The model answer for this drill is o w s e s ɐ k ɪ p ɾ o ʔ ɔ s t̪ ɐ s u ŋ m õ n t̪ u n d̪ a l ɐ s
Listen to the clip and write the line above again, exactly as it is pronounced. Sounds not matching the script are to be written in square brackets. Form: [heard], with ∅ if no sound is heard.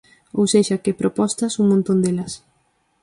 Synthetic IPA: o w s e [ʃ] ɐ k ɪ p ɾ o [p] ɔ s t̪ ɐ s u ŋ m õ n t̪ [o] n d̪ [e] l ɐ s